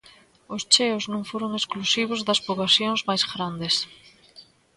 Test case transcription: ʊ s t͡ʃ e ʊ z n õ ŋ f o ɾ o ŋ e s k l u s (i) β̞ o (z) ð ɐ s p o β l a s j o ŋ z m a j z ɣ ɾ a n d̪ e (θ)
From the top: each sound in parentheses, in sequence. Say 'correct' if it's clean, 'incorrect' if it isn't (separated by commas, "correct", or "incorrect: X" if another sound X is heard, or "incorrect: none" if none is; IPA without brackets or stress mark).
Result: correct, correct, incorrect: s